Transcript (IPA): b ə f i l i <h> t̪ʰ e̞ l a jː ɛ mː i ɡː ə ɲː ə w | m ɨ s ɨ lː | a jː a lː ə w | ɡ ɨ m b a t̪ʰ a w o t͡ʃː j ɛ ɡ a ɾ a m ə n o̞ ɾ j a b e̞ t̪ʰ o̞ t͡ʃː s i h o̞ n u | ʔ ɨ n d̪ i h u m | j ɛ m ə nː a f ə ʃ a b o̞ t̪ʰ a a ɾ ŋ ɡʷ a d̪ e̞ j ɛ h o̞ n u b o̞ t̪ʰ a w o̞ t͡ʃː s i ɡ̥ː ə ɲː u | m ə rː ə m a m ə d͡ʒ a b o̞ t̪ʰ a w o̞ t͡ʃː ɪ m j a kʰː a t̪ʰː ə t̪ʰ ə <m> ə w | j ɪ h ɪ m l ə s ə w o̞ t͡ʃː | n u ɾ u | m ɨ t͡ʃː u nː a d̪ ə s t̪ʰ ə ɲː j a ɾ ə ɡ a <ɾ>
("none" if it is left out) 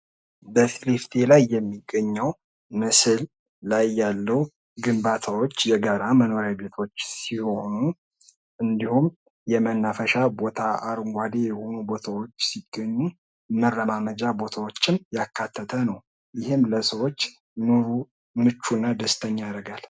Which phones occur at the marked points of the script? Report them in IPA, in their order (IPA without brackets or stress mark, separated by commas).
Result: f, n, l